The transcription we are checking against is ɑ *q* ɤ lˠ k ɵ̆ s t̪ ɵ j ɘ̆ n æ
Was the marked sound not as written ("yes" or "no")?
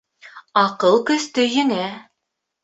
no